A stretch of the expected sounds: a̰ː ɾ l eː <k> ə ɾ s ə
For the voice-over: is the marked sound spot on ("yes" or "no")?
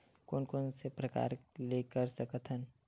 yes